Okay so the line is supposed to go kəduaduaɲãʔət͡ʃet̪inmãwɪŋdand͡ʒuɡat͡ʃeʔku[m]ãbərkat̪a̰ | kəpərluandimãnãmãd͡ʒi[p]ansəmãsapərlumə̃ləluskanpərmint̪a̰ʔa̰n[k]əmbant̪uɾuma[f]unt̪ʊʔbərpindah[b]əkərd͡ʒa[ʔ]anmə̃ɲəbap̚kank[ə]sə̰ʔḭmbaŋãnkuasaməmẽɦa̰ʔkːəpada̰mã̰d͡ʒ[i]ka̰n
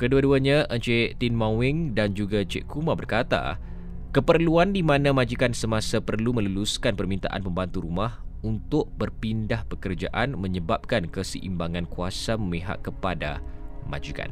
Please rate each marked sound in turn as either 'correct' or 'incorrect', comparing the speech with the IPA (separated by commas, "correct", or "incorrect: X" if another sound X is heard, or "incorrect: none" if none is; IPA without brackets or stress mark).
correct, incorrect: k, incorrect: p, incorrect: h, incorrect: p, correct, correct, correct